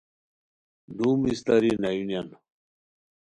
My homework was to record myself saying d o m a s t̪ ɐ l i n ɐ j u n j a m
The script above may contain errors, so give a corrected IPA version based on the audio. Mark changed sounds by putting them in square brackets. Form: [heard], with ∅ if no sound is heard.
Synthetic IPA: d [u] m [i] s t̪ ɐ [ɾ] i n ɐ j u n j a [n]